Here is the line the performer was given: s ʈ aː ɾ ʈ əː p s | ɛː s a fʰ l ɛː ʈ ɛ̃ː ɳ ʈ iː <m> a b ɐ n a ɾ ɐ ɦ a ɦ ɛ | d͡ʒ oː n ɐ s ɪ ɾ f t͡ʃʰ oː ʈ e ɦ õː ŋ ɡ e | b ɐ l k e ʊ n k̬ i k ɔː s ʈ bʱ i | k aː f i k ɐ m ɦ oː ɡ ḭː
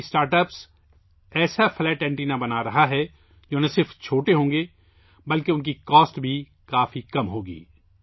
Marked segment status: incorrect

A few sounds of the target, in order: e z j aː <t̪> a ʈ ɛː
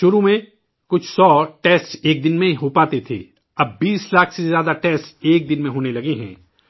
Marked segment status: incorrect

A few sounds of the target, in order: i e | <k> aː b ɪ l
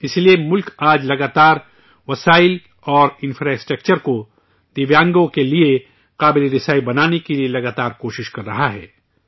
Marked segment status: incorrect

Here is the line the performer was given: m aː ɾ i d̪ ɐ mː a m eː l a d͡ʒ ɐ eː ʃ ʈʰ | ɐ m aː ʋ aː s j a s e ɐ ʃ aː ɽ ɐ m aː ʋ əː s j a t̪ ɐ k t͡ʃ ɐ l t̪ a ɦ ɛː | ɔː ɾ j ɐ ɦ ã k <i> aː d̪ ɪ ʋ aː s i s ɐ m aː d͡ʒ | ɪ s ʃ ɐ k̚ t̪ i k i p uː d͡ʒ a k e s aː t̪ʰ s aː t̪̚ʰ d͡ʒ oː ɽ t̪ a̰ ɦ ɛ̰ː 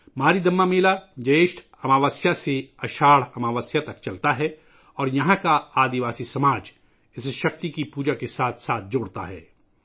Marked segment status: incorrect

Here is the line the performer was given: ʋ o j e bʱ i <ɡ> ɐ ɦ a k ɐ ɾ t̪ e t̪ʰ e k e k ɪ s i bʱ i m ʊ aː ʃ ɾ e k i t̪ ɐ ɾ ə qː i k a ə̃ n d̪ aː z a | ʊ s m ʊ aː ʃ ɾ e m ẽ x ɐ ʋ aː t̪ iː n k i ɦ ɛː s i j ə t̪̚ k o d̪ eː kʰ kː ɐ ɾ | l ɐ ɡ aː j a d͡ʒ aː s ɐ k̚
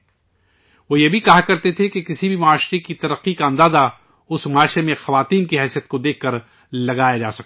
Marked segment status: incorrect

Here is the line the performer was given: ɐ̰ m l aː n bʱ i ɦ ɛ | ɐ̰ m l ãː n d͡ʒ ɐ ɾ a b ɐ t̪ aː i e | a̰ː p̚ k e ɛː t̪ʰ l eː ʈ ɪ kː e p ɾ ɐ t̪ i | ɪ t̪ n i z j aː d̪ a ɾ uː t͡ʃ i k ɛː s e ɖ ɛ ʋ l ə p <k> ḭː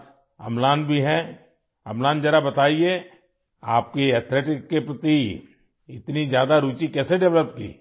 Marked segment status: correct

